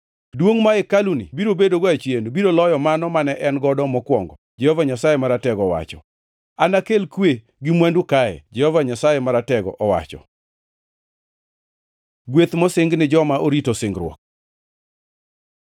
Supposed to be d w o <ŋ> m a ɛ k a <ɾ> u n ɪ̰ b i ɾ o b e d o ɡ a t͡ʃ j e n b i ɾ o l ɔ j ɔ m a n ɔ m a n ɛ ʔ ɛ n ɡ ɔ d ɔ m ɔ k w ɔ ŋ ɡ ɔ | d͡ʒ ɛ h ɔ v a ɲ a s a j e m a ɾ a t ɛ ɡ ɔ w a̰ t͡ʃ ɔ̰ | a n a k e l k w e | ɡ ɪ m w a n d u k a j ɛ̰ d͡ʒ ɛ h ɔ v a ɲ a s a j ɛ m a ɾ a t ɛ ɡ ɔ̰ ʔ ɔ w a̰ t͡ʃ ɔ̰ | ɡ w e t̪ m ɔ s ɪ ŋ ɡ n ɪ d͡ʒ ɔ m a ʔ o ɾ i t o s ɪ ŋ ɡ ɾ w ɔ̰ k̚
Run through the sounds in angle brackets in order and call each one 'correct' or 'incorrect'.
correct, incorrect: l

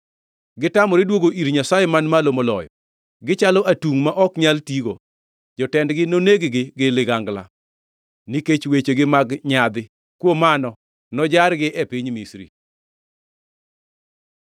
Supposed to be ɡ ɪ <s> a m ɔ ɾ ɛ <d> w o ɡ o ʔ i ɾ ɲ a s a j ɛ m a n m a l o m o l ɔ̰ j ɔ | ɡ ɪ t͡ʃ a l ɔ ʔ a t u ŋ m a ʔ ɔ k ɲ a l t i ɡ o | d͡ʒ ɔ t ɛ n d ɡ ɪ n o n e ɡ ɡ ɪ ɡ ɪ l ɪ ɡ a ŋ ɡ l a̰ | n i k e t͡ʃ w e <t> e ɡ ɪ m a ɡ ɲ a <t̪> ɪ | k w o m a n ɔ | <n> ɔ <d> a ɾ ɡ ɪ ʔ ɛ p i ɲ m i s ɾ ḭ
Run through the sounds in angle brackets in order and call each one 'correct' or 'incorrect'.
incorrect: t, correct, incorrect: t͡ʃ, incorrect: d̪, correct, incorrect: d͡ʒ

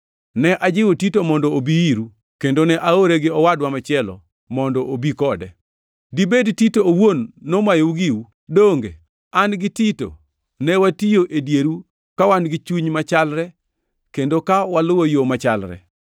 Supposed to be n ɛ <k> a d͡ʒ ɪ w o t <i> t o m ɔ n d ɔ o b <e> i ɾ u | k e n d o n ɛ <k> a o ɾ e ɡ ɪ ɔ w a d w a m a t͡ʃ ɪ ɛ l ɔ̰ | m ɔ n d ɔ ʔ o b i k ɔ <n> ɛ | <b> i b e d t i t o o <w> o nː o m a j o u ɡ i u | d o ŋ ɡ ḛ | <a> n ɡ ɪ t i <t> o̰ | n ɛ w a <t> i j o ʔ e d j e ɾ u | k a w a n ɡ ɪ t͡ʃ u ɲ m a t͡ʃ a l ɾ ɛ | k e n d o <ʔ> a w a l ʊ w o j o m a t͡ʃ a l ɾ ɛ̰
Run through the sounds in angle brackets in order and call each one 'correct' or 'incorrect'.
incorrect: ʔ, correct, incorrect: i, incorrect: ʔ, incorrect: d, incorrect: d, correct, correct, correct, correct, incorrect: k

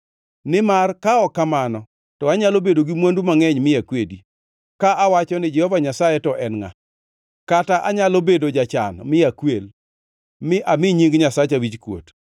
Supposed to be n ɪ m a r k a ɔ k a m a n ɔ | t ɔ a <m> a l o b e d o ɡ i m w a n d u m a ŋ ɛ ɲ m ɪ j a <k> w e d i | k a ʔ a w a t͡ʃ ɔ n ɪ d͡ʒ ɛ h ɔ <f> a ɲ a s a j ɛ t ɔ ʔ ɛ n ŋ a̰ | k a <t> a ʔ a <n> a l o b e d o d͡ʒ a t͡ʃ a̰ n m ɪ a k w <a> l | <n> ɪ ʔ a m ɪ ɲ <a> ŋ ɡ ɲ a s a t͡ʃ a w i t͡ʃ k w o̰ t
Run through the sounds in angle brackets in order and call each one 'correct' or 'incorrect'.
incorrect: ɲ, correct, incorrect: v, correct, incorrect: ɲ, incorrect: e, incorrect: m, incorrect: i

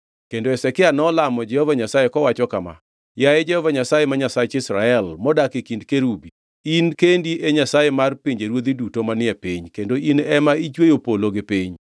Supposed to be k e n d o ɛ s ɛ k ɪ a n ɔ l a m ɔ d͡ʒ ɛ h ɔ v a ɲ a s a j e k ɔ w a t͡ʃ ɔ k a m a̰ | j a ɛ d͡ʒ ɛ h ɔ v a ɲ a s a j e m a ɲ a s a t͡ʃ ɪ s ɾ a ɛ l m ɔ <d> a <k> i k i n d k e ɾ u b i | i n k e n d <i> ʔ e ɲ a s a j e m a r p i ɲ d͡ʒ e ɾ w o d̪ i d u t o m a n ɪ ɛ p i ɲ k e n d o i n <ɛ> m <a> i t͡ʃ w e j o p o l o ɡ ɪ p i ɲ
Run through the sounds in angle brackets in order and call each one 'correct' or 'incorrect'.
correct, correct, correct, correct, correct

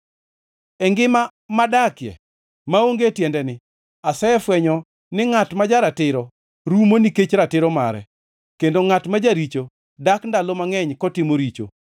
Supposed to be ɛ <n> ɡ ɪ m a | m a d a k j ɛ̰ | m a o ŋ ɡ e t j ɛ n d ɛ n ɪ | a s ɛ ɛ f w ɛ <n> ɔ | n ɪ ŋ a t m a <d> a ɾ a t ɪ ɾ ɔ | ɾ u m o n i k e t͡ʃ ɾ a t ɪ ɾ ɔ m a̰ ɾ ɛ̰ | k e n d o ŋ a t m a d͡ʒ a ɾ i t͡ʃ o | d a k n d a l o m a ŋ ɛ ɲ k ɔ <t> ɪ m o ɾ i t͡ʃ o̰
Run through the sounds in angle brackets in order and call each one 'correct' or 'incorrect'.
incorrect: ŋ, incorrect: ɲ, incorrect: d͡ʒ, correct

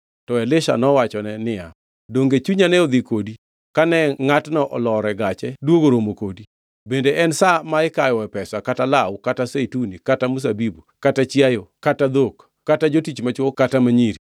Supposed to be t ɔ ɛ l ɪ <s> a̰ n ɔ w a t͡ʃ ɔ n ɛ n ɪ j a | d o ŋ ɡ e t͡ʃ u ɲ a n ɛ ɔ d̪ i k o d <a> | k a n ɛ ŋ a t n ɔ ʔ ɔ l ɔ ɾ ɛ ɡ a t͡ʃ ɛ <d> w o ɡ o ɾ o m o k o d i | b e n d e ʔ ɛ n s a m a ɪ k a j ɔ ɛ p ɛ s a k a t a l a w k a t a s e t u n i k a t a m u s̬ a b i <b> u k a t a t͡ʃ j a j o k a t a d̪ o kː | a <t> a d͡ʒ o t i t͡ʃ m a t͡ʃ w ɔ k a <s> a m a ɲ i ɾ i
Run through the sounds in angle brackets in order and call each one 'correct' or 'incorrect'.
incorrect: ʃ, incorrect: i, correct, correct, correct, incorrect: t

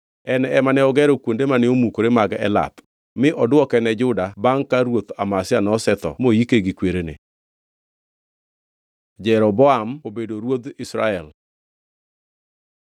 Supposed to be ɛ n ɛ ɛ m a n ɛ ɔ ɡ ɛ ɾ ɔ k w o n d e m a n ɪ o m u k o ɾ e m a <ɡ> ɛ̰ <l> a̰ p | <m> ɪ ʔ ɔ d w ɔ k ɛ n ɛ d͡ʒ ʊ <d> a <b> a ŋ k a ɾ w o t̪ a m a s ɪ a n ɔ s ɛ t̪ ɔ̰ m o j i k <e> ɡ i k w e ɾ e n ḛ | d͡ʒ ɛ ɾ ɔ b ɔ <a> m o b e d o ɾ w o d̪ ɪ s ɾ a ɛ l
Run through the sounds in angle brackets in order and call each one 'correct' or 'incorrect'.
correct, correct, correct, correct, correct, correct, correct

